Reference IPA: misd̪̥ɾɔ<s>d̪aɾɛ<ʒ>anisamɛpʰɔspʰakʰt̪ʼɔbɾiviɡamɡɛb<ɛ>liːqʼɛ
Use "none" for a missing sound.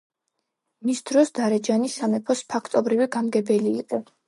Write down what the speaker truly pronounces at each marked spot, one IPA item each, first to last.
s, d͡ʒ, ɛ

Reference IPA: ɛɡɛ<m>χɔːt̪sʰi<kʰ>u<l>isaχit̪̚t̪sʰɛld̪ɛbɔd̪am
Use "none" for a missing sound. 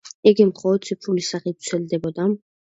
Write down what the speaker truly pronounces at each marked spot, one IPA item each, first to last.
m, pʰ, l

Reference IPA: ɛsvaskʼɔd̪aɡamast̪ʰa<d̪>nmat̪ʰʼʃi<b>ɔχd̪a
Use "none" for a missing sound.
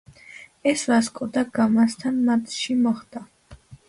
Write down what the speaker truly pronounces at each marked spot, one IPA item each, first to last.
none, m

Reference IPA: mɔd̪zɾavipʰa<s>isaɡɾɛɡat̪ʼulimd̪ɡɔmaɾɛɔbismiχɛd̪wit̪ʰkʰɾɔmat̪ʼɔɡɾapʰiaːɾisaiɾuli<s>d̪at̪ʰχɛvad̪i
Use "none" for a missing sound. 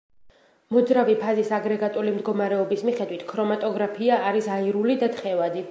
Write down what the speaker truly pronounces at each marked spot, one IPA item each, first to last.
z, none

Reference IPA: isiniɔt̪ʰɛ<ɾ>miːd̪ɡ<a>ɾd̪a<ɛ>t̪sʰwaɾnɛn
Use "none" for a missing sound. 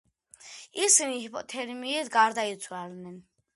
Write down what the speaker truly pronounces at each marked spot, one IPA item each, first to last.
ɾ, a, i

